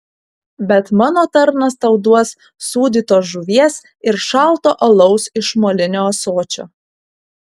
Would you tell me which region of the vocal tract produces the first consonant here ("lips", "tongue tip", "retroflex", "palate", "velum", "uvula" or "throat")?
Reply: lips